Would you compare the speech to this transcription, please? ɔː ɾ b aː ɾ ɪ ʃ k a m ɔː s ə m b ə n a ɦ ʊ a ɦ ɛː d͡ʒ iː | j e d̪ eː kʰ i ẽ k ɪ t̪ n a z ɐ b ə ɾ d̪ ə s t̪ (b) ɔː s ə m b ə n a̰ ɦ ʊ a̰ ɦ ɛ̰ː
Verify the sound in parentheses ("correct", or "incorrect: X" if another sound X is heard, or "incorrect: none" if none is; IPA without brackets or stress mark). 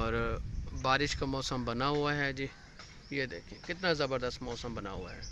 incorrect: m